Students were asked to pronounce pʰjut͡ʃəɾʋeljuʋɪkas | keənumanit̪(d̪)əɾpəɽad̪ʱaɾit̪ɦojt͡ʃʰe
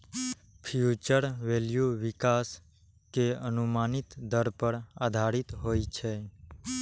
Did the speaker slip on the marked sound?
no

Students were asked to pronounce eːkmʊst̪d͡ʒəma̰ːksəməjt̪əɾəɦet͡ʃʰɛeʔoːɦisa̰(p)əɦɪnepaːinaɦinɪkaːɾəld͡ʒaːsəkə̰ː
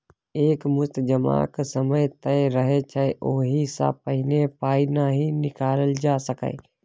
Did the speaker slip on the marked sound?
no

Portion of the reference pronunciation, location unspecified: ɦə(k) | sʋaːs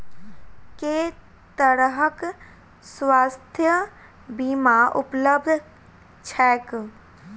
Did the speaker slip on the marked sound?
no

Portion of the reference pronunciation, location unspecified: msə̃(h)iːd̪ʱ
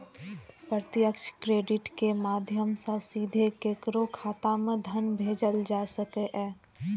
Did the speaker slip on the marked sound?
yes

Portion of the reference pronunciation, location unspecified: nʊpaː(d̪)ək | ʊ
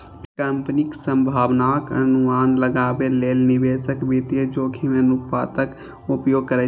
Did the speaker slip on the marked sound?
yes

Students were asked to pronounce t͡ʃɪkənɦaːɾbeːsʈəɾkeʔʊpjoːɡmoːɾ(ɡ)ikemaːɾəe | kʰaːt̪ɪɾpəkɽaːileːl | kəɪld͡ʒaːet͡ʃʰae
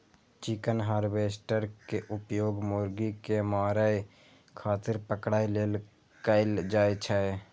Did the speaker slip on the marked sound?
no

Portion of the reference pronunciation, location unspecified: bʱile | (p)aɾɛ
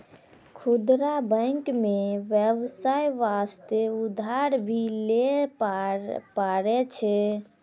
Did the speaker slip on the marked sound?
no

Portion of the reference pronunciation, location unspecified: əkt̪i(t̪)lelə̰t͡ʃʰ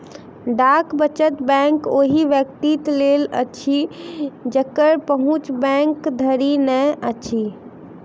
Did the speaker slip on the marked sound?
no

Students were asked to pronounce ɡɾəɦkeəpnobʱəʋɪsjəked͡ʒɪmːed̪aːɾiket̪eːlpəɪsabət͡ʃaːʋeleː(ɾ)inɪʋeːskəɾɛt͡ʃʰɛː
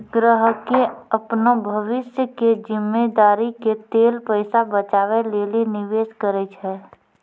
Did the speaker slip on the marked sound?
yes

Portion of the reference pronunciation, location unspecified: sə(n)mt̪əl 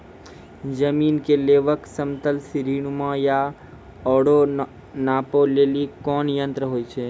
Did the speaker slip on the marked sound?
yes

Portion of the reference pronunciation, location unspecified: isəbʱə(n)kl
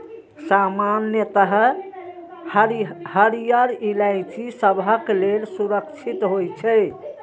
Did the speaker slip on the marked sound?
yes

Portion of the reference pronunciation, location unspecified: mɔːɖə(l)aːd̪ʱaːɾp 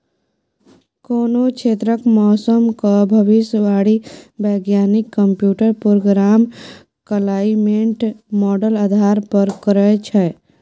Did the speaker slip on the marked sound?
no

